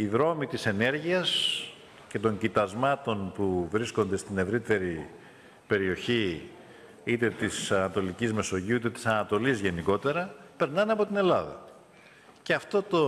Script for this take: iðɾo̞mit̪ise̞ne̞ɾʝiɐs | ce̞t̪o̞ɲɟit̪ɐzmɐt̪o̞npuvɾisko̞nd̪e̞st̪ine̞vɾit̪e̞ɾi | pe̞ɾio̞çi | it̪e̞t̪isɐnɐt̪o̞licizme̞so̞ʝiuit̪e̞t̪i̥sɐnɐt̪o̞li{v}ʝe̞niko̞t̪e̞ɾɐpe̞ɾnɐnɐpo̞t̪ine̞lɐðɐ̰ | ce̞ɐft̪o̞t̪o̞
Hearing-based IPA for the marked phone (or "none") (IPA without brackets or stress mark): z